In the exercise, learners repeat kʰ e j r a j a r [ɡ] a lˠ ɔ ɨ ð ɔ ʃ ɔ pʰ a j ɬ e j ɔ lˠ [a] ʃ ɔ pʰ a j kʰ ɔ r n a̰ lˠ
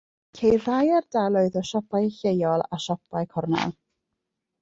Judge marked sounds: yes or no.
no, yes

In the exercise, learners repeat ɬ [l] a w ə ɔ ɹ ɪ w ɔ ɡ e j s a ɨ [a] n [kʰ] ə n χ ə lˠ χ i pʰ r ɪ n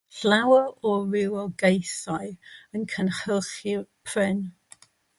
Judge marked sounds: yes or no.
yes, no, yes

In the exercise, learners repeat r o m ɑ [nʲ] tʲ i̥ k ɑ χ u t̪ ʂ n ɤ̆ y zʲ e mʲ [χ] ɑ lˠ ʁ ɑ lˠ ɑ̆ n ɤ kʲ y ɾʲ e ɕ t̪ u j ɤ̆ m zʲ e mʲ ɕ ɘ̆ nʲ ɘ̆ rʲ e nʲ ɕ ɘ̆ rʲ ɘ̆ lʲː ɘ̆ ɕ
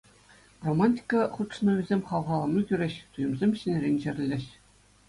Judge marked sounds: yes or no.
yes, yes

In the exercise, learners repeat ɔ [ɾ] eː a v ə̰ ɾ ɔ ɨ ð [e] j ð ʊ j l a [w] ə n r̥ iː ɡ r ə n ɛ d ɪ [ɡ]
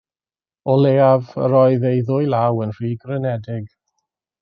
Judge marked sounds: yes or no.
no, yes, yes, yes

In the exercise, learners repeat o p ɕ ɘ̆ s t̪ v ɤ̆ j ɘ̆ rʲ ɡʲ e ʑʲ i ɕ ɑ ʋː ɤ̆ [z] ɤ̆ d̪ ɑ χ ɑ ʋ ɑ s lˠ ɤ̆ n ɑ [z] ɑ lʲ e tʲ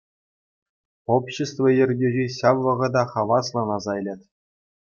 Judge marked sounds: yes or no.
no, yes

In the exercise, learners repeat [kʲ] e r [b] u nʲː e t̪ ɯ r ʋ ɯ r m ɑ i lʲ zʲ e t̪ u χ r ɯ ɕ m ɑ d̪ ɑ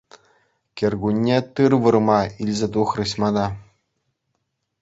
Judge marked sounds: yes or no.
yes, no

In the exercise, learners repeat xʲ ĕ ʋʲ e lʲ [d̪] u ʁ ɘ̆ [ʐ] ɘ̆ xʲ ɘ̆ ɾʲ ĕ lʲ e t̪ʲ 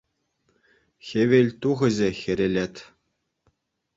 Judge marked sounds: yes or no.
no, no

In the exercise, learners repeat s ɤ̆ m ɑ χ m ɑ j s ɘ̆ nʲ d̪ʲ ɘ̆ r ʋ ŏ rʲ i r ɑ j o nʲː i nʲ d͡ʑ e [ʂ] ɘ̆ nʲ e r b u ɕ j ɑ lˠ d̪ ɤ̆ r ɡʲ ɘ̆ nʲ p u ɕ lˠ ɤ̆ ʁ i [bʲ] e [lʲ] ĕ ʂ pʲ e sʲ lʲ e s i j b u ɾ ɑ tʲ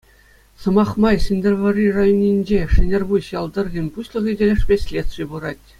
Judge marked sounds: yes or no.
yes, no, yes

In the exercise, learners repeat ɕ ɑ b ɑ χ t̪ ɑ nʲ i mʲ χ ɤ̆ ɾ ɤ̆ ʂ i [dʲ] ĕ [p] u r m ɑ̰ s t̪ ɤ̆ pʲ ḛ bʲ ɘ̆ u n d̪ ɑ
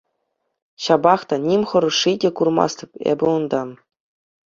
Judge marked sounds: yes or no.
yes, no

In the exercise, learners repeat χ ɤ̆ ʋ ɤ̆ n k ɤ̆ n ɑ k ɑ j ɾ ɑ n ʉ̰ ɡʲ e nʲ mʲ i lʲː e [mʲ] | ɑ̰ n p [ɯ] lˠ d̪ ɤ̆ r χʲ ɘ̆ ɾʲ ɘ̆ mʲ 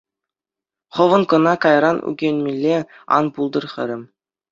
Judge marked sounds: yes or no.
no, no

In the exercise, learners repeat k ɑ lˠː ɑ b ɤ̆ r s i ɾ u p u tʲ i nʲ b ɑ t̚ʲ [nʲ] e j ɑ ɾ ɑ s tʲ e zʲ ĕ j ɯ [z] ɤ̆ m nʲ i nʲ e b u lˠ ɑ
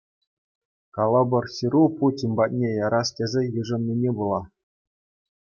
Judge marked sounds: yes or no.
yes, no

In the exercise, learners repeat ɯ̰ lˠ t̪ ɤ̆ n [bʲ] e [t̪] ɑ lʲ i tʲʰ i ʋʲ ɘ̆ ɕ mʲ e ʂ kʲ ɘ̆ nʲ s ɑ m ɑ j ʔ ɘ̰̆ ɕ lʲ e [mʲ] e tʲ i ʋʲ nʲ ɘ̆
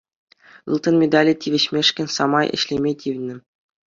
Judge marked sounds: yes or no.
no, no, yes

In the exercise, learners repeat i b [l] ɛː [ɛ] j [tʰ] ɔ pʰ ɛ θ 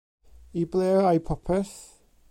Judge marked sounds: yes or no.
yes, no, no

